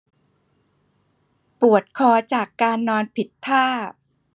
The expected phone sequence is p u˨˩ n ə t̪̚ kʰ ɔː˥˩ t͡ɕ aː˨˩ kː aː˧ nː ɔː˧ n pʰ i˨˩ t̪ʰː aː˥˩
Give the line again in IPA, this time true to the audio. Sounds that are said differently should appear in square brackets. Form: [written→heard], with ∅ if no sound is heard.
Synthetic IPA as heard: p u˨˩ [n→∅] ə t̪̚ kʰ [ɔː˥˩→ɔː˧] t͡ɕ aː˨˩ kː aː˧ nː ɔː˧ n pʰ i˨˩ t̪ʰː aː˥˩